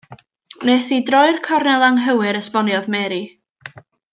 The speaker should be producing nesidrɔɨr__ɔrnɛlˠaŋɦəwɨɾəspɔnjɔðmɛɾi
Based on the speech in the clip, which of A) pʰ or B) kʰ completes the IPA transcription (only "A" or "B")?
B